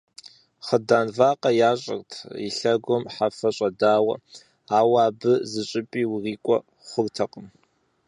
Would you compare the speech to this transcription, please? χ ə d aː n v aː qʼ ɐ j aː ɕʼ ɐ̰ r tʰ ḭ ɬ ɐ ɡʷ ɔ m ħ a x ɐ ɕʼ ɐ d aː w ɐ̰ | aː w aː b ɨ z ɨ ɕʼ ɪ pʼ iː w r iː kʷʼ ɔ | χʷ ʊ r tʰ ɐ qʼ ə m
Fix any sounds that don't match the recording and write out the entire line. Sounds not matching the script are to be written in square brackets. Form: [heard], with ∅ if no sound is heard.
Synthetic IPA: χ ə d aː n v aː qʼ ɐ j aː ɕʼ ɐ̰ r tʰ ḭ ɬ ɐ ɡʷ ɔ m ħ a [f] ɐ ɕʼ ɐ d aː w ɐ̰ | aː w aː b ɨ z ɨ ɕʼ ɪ pʼ iː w r iː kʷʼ ɔ | χʷ ʊ r tʰ ɐ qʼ ə m

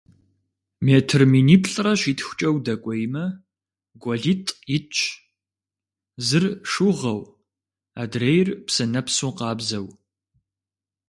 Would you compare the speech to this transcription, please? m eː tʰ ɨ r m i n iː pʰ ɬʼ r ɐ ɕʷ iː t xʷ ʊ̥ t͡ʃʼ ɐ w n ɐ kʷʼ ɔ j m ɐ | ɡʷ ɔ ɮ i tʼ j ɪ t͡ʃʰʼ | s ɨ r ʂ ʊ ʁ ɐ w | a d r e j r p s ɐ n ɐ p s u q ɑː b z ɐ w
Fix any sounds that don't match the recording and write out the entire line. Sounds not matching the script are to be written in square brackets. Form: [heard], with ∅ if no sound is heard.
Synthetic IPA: m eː tʰ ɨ r m i n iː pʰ ɬʼ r ɐ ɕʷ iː t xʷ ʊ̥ t͡ʃʼ ɐ w [d] ɐ kʷʼ ɔ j m ɐ | ɡʷ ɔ ɮ i tʼ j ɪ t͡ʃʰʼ | [z] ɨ r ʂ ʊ ʁ ɐ w | a d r e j r p s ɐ n ɐ p s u q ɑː b z ɐ w

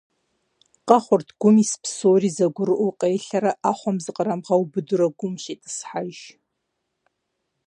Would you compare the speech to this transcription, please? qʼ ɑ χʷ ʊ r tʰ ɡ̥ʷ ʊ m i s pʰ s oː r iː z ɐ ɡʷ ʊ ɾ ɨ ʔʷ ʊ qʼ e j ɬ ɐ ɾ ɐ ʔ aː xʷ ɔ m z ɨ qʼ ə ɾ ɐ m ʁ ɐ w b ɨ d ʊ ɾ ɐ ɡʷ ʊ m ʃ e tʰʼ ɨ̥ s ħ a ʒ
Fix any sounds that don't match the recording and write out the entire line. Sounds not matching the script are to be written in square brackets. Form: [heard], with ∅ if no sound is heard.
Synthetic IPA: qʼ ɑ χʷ ʊ r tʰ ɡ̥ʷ ʊ m i s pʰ s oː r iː z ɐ ɡʷ ʊ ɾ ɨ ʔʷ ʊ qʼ e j ɬ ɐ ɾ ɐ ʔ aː [χʷ] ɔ m z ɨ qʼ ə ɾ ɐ m ʁ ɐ w b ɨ d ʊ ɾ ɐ ɡʷ ʊ m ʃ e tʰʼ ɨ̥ s ħ a ʒ

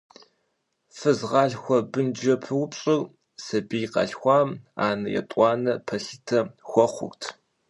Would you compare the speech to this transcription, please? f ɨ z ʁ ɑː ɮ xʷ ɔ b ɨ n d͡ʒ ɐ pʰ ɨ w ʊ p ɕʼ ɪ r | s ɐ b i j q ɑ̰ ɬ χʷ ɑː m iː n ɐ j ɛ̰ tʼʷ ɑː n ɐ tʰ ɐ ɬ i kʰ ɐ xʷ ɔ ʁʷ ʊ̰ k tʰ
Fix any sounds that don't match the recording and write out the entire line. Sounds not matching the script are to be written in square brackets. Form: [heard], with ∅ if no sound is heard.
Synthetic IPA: f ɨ z ʁ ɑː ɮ xʷ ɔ b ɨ n d͡ʒ ɐ pʰ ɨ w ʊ p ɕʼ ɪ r | s ɐ b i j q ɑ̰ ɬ [xʷ] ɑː m [aː] n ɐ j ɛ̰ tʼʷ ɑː n ɐ [pʰ] ɐ ɬ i [tʰ] ɐ xʷ ɔ [χʷ] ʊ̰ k tʰ

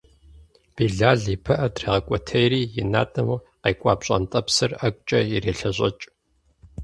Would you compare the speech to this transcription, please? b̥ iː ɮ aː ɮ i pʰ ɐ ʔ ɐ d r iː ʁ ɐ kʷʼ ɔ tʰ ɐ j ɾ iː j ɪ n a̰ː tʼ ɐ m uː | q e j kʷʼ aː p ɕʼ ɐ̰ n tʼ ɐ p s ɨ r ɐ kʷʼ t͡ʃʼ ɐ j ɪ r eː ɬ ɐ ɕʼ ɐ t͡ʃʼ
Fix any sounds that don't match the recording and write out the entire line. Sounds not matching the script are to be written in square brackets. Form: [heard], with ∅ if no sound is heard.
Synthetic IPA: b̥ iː ɮ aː ɮ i pʰ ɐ ʔ ɐ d r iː ʁ ɐ kʷʼ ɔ tʰ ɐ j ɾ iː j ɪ n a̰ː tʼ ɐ m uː | q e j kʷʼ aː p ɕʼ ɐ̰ n tʼ ɐ p s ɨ r ɐ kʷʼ t͡ʃʼ ɐ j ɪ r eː ɬ ɐ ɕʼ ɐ t͡ʃʼ

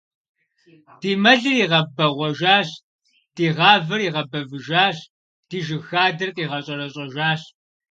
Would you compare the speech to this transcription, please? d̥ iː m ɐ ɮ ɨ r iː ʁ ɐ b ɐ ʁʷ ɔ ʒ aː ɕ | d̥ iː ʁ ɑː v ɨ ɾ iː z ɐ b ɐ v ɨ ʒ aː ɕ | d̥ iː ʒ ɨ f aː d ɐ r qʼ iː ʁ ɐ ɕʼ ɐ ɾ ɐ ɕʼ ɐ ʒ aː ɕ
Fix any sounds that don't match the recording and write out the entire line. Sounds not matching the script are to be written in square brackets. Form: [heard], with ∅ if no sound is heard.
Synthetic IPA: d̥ iː m ɐ ɮ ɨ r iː ʁ ɐ b ɐ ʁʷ ɔ ʒ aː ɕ | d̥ iː ʁ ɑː v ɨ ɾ iː [ʁ] ɐ b ɐ v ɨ ʒ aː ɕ | d̥ iː ʒ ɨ [x] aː d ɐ r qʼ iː ʁ ɐ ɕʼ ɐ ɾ ɐ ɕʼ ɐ ʒ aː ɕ

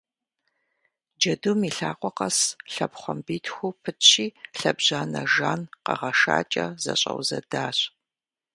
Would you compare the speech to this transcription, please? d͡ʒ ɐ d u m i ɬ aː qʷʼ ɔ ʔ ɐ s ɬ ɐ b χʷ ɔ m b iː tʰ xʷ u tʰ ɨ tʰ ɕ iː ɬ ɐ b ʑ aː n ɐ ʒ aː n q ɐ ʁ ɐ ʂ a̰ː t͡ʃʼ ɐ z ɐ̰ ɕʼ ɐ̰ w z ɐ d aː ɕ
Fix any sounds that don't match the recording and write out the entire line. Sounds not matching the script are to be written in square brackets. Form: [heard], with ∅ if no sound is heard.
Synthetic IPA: d͡ʒ ɐ d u m i ɬ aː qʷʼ ɔ [q] ɐ s ɬ ɐ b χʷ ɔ m b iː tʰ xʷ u [pʰ] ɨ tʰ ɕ iː ɬ ɐ b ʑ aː n ɐ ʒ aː n q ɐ ʁ ɐ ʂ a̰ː t͡ʃʼ ɐ z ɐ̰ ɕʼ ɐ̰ w z ɐ d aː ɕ

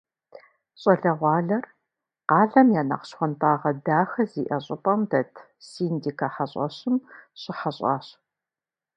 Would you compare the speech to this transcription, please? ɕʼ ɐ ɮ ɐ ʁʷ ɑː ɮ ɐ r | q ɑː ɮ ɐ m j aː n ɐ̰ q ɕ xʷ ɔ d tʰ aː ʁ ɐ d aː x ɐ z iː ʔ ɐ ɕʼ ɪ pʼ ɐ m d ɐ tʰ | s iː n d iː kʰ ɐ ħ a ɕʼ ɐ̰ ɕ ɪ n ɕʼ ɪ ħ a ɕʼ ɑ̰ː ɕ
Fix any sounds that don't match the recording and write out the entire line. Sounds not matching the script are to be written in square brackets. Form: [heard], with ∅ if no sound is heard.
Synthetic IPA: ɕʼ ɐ ɮ ɐ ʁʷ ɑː ɮ ɐ r | q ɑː ɮ ɐ m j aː n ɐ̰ q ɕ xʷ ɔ [n] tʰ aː ʁ ɐ d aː x ɐ z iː ʔ ɐ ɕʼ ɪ pʼ ɐ m d ɐ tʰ | s iː n d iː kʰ ɐ ħ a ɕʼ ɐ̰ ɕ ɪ [m] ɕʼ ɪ ħ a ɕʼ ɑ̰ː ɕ

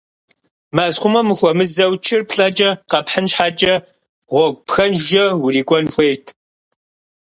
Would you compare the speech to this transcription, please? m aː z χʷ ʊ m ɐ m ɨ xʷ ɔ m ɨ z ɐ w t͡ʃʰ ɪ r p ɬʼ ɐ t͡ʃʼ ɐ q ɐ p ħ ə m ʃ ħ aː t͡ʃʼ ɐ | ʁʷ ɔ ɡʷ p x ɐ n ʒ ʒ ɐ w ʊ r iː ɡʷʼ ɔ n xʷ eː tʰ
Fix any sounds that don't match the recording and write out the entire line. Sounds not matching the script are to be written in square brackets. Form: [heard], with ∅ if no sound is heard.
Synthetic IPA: m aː z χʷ ʊ m ɐ m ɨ xʷ ɔ m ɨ z ɐ w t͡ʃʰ ɪ r p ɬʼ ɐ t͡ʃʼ ɐ q ɐ p ħ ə [n] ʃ ħ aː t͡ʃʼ ɐ | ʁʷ ɔ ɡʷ p x ɐ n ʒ ʒ ɐ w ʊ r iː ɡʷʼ ɔ n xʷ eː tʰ

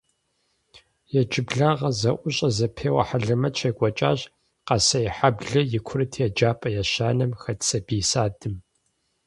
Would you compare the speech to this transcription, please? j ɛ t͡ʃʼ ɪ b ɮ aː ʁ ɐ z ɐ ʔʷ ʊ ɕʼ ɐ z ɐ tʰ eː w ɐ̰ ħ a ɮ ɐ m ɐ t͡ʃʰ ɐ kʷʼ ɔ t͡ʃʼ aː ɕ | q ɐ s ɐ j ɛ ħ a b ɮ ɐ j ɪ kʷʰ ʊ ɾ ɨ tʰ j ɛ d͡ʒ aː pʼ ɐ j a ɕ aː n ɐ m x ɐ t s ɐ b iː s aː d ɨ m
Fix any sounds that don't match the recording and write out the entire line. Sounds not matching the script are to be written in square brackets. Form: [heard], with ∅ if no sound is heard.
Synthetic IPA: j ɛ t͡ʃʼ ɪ b ɮ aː ʁ ɐ z ɐ ʔʷ ʊ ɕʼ ɐ z ɐ [pʰ] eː w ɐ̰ ħ a ɮ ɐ m ɐ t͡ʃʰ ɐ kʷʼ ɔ t͡ʃʼ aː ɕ | q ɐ s ɐ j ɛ ħ a b ɮ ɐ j ɪ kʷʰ ʊ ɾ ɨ tʰ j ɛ d͡ʒ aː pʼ ɐ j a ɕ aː n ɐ m x ɐ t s ɐ b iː s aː d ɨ m

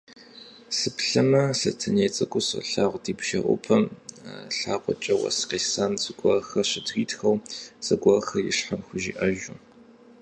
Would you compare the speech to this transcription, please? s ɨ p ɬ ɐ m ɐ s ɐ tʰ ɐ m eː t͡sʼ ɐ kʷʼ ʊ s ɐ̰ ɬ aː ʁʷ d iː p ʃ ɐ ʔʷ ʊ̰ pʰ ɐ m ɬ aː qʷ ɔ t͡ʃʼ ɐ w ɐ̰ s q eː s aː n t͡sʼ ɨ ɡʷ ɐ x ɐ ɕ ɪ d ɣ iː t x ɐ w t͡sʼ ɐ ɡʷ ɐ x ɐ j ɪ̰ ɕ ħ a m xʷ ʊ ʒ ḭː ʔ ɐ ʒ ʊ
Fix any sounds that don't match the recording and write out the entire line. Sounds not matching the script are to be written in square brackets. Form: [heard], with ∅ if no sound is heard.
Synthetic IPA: s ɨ p ɬ ɐ m ɐ s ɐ tʰ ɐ [n] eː t͡sʼ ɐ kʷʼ ʊ s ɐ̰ ɬ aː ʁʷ d iː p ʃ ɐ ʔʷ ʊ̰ pʰ ɐ m ɬ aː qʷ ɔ t͡ʃʼ ɐ w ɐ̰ s q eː s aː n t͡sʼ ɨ ɡʷ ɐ x ɐ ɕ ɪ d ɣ iː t x ɐ w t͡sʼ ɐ ɡʷ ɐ x ɐ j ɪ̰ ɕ ħ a m xʷ ʊ ʒ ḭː ʔ ɐ ʒ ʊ

